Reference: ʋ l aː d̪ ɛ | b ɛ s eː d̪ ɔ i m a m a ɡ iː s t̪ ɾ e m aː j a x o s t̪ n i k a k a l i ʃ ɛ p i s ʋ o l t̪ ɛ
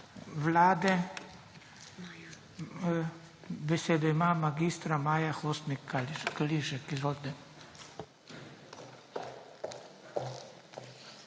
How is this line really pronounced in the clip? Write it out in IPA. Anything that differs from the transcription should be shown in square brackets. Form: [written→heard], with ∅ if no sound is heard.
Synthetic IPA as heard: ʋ l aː d̪ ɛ | b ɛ s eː d̪ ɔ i m a m a ɡ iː s t̪ ɾ [e→a] m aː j a x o s t̪ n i k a k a l i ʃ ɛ [p→k] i [s→z] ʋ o l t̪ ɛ